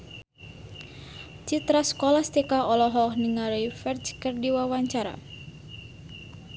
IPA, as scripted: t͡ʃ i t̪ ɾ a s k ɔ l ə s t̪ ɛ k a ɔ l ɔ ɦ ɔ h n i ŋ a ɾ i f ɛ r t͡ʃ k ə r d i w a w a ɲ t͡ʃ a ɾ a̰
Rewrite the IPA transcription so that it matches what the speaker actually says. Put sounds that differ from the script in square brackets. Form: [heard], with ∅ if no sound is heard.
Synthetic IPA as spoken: t͡ʃ i t̪ ɾ a s k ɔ l [a] s t̪ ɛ k a ɔ l ɔ ɦ ɔ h n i ŋ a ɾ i f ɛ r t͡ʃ k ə r d i w a w a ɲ t͡ʃ a ɾ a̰